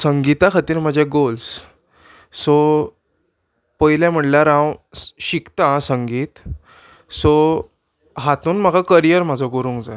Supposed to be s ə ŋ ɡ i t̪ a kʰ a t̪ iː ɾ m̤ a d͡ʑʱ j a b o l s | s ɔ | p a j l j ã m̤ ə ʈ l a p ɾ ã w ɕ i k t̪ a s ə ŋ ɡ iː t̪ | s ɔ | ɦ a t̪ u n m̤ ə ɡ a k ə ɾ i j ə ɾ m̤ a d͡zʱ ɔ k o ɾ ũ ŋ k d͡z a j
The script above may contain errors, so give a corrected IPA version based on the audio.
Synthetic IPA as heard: s ə ŋ ɡ i t̪ a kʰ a t̪ iː ɾ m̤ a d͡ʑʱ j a ɡ o l s | s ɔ | p ə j l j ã m̤ ə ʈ l a ɾ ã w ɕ i k t̪ a s ə ŋ ɡ iː t̪ | s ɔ | ɦ a t̪ uː n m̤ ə ɡ a k ə ɾ i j ə ɾ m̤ a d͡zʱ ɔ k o ɾ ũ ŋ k d͡z a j